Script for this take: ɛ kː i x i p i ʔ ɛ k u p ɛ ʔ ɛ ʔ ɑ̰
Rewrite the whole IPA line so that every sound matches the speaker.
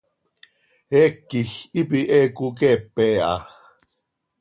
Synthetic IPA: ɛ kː i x i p i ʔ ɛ k u k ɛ p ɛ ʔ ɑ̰